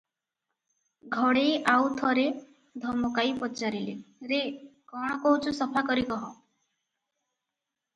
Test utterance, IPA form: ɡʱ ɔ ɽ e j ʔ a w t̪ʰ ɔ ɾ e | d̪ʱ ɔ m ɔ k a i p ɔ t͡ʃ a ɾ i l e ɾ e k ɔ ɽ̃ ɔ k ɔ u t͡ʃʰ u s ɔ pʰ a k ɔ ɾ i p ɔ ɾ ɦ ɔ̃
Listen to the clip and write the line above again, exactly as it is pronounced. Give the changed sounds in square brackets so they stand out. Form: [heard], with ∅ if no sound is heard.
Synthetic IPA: ɡʱ ɔ ɽ e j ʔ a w t̪ʰ ɔ ɾ e | d̪ʱ ɔ m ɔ k a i p ɔ t͡ʃ a ɾ i l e ɾ e k ɔ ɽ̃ ɔ k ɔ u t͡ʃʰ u s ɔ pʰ a k ɔ ɾ i [k] ɔ [∅] ɦ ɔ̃